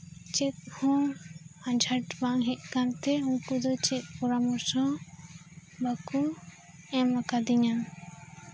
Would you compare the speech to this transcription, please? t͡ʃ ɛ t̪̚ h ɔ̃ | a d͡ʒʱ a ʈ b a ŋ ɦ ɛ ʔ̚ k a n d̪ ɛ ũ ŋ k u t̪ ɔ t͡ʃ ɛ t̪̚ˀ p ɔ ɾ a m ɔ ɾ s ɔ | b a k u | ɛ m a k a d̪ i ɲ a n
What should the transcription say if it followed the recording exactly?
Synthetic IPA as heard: t͡ʃ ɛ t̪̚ h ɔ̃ | a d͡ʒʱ a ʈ b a ŋ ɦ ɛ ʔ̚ k a n t̪ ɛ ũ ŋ k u d̪ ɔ t͡ʃ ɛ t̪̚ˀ p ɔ ɾ a m ɔ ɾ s ɔ | b a k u | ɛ m a k a d̪ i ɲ a n